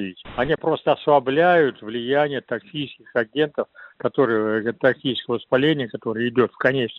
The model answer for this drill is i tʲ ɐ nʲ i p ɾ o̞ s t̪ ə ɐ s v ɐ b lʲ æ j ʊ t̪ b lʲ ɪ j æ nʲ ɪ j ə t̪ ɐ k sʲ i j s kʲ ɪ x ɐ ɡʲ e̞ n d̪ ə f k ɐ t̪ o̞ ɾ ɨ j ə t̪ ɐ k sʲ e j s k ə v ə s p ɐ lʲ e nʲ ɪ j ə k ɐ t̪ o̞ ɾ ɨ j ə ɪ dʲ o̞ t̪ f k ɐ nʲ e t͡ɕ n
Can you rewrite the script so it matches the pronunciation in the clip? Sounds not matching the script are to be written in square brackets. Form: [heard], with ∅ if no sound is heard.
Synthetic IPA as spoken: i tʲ ɐ nʲ i p ɾ o̞ s t̪ ə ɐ s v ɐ b lʲ æ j ʊ t̪ [v] lʲ ɪ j æ nʲ ɪ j ə t̪ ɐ k sʲ i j s kʲ ɪ x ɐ ɡʲ e̞ n [t̪] ə f k ɐ t̪ o̞ ɾ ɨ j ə t̪ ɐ k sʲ [i] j s k ə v ə s p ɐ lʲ e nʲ ɪ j ə k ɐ t̪ o̞ ɾ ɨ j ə ɪ dʲ o̞ t̪ f k ɐ nʲ e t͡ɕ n